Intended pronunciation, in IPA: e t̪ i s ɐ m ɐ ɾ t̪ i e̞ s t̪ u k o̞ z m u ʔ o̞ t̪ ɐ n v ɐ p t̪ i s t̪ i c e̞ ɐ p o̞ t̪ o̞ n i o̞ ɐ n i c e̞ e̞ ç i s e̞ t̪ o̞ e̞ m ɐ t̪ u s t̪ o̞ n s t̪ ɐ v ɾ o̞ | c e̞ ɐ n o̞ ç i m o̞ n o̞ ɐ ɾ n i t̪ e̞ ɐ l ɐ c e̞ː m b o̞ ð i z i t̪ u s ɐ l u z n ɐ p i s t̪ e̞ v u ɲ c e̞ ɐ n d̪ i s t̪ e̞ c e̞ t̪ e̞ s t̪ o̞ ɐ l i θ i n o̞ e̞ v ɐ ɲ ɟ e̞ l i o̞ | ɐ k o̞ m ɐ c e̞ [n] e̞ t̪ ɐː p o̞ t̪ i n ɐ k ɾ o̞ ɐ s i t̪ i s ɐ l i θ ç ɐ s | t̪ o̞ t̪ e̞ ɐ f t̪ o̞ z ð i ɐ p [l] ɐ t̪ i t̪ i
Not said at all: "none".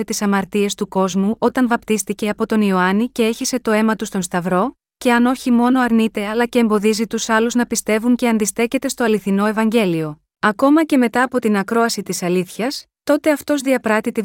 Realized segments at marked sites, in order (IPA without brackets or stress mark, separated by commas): m, ɾ